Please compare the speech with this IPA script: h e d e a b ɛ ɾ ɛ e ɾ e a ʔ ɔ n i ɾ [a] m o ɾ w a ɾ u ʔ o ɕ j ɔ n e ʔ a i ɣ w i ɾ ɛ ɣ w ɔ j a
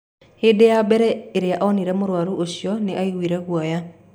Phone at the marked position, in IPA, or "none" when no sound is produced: ɛ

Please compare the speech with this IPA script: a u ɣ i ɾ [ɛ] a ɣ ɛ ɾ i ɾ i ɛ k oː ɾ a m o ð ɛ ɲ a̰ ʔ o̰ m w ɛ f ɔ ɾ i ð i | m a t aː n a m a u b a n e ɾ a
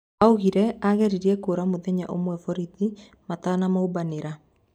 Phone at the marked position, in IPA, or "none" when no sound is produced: ɛ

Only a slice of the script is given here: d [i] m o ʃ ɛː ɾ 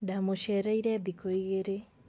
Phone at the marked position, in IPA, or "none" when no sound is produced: a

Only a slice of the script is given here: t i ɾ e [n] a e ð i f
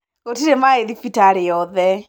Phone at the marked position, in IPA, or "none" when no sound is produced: m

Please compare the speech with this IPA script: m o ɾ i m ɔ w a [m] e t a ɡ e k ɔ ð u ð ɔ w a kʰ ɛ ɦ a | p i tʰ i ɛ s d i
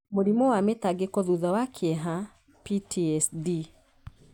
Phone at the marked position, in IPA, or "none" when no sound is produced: m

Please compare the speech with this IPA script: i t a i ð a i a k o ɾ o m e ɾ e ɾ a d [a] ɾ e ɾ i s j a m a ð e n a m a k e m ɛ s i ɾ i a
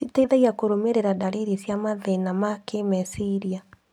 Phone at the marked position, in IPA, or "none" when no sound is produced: a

